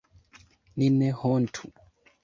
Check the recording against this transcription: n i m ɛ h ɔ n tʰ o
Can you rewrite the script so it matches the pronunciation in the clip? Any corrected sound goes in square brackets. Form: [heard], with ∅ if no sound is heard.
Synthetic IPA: n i [n] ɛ h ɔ n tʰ [u]